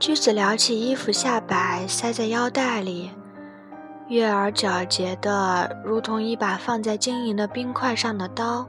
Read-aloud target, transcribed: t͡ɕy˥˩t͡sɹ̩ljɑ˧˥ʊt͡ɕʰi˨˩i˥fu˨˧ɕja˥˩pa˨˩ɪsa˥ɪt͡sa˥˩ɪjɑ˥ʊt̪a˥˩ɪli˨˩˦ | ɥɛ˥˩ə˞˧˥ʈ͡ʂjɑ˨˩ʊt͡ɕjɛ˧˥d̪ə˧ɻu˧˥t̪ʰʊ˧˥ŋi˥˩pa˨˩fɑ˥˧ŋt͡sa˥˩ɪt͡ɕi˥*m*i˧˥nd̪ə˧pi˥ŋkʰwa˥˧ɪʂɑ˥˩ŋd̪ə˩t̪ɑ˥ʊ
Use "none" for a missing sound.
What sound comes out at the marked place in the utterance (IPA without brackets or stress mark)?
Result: ŋ